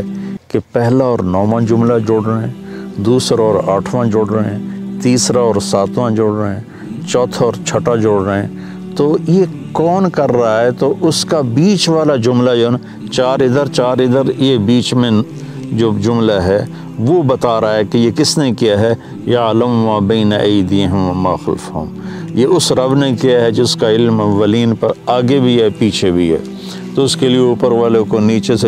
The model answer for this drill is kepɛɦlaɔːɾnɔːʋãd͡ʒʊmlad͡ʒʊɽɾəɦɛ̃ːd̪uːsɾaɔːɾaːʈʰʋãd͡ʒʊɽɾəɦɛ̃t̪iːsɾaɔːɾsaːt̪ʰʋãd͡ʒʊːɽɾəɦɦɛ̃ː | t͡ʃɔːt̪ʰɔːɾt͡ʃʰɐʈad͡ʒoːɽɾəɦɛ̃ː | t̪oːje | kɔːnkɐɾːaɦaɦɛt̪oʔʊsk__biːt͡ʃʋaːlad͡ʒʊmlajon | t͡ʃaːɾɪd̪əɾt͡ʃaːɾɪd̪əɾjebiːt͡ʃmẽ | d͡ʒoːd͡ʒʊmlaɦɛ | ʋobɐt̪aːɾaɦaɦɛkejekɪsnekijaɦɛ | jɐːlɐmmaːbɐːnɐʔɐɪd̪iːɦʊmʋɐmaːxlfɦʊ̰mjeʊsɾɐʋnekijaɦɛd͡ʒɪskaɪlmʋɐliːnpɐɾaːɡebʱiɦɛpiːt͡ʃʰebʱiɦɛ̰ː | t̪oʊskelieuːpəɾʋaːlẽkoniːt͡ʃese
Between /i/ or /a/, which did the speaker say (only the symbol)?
a